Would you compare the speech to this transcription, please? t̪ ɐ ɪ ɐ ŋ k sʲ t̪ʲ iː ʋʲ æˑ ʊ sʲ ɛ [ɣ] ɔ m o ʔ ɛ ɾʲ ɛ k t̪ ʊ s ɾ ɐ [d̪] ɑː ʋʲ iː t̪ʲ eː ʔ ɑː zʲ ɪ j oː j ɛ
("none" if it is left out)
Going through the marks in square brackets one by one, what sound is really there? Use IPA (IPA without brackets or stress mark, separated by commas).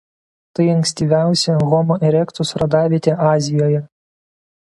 ɣ, d̪